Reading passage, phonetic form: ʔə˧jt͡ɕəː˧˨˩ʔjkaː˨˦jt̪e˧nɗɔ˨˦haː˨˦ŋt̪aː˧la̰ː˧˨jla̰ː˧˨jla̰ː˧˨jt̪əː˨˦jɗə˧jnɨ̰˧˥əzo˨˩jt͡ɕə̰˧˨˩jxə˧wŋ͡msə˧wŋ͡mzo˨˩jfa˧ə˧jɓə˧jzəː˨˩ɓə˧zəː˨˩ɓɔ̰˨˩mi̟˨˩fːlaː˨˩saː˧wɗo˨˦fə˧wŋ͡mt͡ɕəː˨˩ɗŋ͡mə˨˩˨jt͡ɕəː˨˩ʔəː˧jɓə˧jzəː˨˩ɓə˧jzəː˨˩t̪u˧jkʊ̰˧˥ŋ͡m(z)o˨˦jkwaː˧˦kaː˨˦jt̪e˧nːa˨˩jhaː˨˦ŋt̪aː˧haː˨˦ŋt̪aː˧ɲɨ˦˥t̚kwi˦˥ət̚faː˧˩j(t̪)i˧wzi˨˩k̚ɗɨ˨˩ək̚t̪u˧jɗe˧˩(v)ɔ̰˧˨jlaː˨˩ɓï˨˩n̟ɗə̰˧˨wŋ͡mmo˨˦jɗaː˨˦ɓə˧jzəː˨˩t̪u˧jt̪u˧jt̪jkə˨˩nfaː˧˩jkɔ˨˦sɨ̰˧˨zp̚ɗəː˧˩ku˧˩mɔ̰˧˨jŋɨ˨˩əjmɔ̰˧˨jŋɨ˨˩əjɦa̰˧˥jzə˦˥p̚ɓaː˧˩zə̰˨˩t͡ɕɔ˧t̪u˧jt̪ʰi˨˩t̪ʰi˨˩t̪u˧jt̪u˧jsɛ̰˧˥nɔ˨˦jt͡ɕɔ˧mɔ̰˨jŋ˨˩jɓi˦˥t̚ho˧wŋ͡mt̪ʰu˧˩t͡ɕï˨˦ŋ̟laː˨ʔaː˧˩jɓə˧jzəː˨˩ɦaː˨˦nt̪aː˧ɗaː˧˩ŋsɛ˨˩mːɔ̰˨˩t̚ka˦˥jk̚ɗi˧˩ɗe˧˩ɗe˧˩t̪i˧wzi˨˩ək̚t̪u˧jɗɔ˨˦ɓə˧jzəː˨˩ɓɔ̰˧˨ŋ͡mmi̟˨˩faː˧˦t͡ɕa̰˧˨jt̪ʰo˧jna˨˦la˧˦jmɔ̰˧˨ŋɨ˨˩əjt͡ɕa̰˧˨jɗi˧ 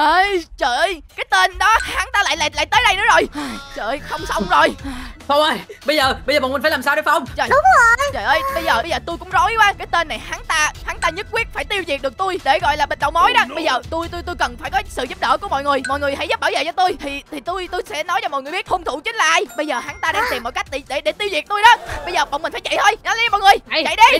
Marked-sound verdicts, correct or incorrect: correct, correct, incorrect: ɣ

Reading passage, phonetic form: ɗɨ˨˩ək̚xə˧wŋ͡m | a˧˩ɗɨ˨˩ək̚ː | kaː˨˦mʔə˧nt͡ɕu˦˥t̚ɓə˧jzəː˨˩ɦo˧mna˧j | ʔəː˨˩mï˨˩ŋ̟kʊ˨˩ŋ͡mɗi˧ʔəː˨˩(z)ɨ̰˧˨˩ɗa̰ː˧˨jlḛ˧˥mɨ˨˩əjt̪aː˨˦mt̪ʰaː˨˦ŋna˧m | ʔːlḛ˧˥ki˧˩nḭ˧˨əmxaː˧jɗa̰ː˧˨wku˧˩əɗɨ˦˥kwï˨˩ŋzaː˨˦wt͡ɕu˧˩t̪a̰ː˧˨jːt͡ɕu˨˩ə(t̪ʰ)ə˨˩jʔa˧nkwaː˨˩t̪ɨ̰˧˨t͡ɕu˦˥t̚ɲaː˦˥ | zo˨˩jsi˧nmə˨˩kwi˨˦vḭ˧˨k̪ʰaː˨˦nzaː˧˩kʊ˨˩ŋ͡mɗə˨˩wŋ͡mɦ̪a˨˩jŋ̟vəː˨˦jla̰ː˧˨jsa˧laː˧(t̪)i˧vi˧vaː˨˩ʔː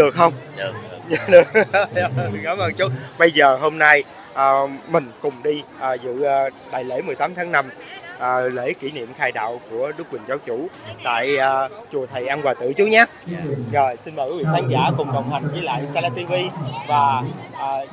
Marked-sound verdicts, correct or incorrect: correct, correct, correct

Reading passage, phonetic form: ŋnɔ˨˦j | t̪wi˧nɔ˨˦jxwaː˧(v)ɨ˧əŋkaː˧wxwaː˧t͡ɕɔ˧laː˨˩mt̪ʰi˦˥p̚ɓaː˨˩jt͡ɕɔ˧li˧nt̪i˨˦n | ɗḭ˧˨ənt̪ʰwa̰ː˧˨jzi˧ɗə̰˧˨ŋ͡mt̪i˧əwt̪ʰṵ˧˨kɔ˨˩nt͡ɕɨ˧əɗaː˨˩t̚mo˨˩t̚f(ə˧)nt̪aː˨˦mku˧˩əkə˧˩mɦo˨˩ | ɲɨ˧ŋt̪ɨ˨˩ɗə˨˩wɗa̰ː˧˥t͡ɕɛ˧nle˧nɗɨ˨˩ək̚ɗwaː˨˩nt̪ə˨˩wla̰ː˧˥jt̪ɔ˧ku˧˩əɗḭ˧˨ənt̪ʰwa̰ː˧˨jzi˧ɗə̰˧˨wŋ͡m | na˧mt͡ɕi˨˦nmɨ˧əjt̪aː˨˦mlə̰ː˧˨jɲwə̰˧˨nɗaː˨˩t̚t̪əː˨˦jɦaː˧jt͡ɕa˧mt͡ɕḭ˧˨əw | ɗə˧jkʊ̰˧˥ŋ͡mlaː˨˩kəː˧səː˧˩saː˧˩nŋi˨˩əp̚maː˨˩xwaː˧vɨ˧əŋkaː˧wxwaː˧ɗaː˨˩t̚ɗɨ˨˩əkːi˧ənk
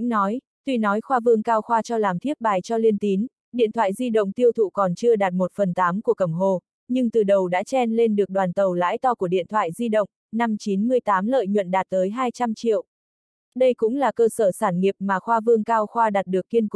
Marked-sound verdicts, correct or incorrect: correct, incorrect: ə˨˩

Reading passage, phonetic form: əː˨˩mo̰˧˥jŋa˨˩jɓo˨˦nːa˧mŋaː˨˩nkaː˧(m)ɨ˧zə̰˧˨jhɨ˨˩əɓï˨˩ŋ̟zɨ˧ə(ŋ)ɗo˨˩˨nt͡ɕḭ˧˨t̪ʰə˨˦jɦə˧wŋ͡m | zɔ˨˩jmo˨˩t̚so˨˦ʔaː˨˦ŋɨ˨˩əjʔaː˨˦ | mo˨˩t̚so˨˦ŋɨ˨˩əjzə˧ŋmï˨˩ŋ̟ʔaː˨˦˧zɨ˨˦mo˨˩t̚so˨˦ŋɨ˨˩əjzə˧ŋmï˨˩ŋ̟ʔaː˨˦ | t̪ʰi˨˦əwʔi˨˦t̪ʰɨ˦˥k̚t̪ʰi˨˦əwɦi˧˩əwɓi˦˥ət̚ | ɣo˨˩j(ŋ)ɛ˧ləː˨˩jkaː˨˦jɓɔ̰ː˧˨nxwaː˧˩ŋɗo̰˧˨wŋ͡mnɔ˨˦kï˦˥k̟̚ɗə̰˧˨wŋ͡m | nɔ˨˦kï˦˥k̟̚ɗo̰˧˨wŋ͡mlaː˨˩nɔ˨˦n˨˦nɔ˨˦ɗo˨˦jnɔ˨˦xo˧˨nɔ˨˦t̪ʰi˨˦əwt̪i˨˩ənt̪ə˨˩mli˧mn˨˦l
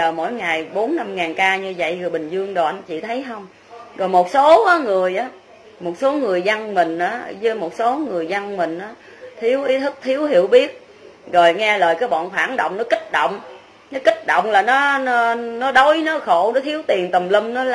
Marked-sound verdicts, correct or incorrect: incorrect: ɲ, correct, correct

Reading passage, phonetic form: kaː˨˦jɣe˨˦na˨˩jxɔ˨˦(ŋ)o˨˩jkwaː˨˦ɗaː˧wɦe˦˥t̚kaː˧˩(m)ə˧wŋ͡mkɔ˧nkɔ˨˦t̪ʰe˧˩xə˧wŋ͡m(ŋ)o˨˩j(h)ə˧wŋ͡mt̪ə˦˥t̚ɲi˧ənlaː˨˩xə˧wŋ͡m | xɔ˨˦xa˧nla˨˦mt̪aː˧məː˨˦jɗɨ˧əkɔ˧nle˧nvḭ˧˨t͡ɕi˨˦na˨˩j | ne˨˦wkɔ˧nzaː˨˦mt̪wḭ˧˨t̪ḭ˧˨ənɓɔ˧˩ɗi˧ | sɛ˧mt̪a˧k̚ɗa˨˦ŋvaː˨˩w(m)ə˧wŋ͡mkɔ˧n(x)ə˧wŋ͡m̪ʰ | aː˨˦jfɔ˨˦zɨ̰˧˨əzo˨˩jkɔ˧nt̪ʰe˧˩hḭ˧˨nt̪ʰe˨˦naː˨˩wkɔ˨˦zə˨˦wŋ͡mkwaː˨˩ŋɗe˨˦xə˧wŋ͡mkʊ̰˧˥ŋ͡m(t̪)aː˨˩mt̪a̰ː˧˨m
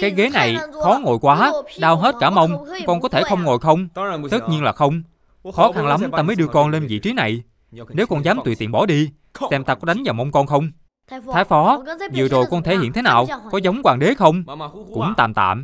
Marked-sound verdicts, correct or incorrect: correct, correct, correct, incorrect: x, correct, correct, correct

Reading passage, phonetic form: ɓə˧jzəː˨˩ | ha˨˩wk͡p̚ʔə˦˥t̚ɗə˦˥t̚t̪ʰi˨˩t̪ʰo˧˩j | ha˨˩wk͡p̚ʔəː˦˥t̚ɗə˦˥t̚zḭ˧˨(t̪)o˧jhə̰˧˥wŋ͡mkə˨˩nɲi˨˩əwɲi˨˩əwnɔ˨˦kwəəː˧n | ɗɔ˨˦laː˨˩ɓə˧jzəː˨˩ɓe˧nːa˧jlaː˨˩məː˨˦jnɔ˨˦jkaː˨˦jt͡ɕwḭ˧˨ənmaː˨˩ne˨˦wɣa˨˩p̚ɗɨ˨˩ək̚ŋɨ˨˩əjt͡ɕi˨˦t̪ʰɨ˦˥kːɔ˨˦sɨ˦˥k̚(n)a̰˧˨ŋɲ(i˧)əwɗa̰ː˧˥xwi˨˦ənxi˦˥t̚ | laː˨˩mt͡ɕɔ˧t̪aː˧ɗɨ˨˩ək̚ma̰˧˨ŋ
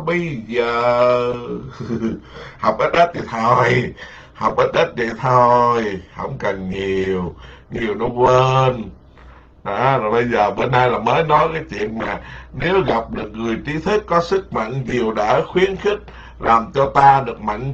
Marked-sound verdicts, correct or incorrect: incorrect: t̪ʰ, incorrect: m, incorrect: i˨˩

